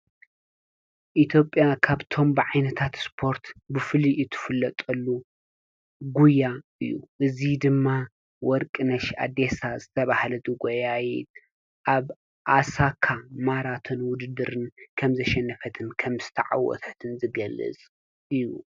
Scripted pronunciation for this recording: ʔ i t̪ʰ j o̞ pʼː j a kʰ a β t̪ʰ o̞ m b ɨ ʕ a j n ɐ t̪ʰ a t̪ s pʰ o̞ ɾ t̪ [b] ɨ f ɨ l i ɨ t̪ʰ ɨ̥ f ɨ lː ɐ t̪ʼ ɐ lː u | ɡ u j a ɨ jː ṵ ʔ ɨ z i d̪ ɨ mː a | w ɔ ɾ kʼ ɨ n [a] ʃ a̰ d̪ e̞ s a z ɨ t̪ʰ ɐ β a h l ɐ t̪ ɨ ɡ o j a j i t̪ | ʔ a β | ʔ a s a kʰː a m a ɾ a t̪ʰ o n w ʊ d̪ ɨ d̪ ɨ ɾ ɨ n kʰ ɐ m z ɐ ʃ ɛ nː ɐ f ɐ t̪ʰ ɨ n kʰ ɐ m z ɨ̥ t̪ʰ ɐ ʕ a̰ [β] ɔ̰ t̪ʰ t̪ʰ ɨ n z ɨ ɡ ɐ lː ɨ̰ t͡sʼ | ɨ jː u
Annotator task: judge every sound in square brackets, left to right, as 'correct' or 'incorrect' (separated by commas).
correct, incorrect, incorrect